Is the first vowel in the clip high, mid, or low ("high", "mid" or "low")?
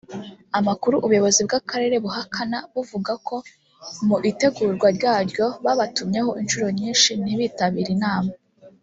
low